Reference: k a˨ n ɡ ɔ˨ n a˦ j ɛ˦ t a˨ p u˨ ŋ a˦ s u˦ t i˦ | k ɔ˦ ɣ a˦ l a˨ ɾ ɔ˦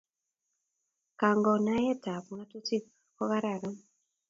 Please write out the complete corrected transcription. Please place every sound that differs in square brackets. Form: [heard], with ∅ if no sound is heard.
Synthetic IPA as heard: k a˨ [ŋ] ɡ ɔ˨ n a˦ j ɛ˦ t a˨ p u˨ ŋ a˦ [t] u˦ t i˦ | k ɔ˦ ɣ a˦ [ɾ] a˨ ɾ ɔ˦